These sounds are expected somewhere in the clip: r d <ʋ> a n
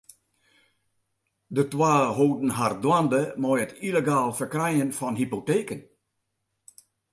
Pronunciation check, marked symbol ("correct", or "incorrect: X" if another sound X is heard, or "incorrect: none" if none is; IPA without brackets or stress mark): incorrect: w